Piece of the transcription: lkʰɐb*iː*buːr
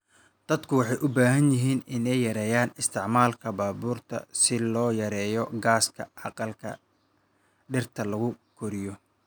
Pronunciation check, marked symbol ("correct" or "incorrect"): incorrect